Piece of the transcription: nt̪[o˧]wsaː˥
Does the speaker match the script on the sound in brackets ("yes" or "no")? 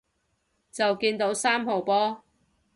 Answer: no